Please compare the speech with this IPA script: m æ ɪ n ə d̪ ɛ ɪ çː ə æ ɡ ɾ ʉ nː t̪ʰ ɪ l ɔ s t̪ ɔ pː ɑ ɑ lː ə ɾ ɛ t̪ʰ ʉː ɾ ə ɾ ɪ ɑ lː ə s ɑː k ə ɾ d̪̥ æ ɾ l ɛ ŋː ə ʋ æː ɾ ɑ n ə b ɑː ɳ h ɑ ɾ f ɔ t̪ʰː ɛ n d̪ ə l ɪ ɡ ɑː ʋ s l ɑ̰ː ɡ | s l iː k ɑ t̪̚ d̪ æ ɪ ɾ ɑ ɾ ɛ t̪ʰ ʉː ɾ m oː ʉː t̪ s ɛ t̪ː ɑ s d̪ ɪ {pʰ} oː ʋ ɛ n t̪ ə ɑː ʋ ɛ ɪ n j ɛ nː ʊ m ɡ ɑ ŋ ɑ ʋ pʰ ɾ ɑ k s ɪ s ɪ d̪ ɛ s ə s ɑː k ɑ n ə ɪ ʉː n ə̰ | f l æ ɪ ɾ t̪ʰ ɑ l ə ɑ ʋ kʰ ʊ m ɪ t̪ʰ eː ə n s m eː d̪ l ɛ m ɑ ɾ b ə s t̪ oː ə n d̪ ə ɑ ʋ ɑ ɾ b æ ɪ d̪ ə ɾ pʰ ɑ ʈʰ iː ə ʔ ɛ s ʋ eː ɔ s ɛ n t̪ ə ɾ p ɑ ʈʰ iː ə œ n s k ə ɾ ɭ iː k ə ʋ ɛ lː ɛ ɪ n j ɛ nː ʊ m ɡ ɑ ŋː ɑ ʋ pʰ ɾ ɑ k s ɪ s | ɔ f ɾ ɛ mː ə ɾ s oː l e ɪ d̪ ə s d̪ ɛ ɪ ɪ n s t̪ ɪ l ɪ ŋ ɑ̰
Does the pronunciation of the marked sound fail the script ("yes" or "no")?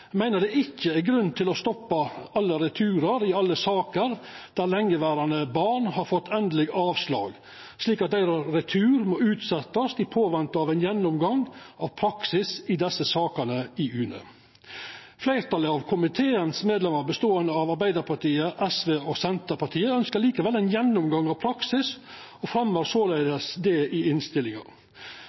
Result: no